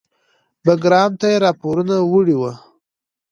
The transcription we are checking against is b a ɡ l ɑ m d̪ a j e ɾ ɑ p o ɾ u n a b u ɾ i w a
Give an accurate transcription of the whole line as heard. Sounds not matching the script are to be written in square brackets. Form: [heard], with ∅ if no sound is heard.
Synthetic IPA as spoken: b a ɡ [ɾ] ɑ m [t̪] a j e ɾ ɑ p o ɾ u n a [w] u [ɽ] i w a

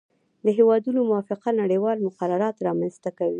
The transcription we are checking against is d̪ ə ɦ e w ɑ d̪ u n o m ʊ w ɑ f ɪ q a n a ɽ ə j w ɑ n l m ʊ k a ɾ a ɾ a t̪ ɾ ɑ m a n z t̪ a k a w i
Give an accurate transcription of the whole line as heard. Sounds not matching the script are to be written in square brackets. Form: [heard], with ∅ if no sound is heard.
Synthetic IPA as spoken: d̪ ə ɦ e w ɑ d̪ u n o m ʊ w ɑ f ɪ q a n a ɽ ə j w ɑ [∅] l m ʊ [q] a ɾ a ɾ [ɑ] t̪ ɾ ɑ m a n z t̪ a k a w i

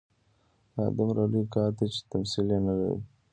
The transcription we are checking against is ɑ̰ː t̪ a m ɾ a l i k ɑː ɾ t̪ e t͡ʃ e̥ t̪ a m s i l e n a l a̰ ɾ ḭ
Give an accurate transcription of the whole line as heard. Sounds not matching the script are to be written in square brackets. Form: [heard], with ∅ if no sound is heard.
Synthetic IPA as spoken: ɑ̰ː [d̪] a m ɾ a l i k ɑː ɾ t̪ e t͡ʃ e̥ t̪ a m s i l e n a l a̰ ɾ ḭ

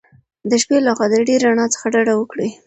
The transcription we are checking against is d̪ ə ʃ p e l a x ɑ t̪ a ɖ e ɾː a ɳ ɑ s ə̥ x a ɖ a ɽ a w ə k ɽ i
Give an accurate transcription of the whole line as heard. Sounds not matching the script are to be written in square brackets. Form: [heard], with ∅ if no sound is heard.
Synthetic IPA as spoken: d̪ ə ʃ p e l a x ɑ [d̪] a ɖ e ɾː a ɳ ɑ [t͡s] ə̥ x a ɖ a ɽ a w ə k ɽ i

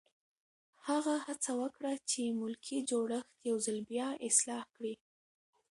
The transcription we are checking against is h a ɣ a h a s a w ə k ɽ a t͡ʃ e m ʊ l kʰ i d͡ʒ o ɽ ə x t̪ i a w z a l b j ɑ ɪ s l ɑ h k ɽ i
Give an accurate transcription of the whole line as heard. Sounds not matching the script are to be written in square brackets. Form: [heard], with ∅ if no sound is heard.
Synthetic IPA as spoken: h a ɣ a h a [t͡s] a w ə k ɽ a t͡ʃ e m ʊ l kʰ i d͡ʒ o ɽ ə x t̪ [j] a w z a l b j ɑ ɪ s l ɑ h k ɽ i

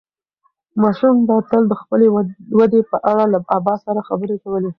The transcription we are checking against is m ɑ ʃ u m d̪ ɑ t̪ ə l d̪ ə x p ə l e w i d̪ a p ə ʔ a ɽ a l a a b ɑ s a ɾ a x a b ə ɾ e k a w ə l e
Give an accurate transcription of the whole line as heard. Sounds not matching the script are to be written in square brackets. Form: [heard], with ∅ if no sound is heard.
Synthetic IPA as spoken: m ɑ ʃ u m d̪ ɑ t̪ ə l d̪ ə x p ə l e w [a] d̪ [e] p ə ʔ a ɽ a l a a b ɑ s a ɾ a x a b ə ɾ e k a w ə l e

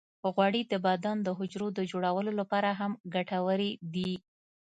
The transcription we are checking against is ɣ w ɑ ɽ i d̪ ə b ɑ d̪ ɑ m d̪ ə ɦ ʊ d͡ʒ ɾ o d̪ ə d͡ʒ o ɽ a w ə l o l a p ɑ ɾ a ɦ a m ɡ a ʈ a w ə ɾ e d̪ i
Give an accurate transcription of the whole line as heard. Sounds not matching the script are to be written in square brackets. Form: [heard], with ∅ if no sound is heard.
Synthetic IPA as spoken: ɣ w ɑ ɽ i d̪ ə b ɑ d̪ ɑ [n] d̪ ə ɦ ʊ d͡ʒ ɾ o d̪ ə d͡ʒ o ɽ a w ə l o l a p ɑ ɾ a ɦ a m ɡ a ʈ a w ə ɾ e d̪ i

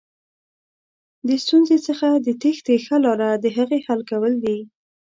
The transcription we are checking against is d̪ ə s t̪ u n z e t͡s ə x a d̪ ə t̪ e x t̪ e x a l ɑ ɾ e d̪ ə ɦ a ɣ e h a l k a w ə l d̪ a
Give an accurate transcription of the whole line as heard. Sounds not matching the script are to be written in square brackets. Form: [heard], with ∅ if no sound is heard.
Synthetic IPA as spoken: d̪ ə s t̪ u n z e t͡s ə x a d̪ ə t̪ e x t̪ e x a l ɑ ɾ [a] d̪ ə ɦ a ɣ e h a l k a w ə l d̪ [i]

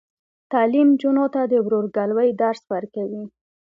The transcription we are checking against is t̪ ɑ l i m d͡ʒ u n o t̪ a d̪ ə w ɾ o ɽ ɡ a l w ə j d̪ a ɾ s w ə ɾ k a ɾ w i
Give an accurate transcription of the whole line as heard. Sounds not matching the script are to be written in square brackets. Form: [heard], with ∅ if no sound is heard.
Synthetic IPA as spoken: t̪ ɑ l i m d͡ʒ u n o t̪ a d̪ ə w ɾ o [ɾ] ɡ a l w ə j d̪ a ɾ s w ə ɾ k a [∅] w i

